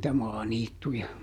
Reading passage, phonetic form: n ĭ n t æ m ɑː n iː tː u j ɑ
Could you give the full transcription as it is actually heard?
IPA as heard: n ĭ t æ m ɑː n iː tː u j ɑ